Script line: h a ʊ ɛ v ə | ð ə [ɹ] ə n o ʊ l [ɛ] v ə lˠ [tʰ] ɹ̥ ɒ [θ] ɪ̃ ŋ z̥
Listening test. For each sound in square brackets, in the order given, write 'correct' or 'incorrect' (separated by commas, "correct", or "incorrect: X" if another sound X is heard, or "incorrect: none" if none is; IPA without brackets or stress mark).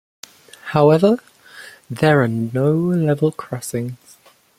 correct, correct, incorrect: kʰ, incorrect: s